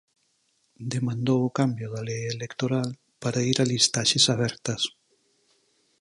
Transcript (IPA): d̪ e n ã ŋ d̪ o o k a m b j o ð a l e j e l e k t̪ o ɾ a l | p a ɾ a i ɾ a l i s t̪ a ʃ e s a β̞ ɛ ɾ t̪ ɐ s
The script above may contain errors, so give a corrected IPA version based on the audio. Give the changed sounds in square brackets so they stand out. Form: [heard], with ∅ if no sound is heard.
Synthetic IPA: d̪ e [m] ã [n] d̪ o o k a m b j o ð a l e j e l e k t̪ o ɾ a l | p a ɾ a i ɾ a l i s t̪ a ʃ e s a β̞ ɛ ɾ t̪ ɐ s